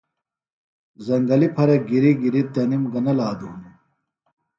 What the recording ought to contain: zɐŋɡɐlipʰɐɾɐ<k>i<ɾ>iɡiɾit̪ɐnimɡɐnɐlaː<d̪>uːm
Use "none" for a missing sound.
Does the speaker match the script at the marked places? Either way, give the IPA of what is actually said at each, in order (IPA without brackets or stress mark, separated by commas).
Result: ɡ, ɾ, d̪